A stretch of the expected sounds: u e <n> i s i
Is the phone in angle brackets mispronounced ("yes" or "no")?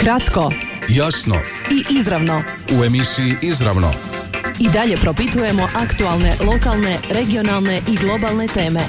yes